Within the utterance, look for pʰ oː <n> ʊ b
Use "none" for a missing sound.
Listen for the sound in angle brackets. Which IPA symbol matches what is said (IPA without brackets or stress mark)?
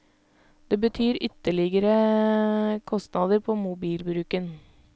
m